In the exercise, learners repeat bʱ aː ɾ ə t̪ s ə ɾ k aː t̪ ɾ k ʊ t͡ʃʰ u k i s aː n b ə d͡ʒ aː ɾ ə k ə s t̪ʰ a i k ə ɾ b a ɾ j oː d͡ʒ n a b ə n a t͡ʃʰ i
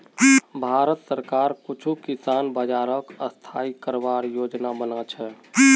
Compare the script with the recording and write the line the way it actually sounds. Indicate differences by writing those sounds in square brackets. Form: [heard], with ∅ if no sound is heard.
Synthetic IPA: bʱ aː ɾ ə t̪ s ə ɾ k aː [∅] ɾ k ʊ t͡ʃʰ u k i s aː n b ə d͡ʒ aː ɾ ə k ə s t̪ʰ a i k ə ɾ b a ɾ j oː d͡ʒ n a b ə n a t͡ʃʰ [ɛ]